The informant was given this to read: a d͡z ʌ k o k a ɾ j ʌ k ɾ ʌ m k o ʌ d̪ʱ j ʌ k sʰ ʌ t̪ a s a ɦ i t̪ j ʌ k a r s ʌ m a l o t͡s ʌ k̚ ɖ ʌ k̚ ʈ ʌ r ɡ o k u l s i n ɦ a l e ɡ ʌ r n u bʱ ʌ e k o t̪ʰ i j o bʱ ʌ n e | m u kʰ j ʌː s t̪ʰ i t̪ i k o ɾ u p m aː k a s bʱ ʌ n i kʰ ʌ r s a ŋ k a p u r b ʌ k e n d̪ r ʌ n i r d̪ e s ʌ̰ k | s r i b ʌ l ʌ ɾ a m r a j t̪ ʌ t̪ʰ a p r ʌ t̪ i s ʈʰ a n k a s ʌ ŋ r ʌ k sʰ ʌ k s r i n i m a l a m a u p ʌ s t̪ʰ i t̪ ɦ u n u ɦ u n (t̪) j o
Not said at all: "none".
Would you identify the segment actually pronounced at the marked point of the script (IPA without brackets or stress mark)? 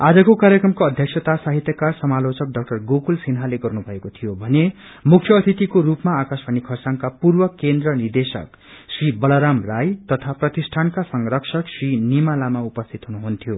t̪ʰ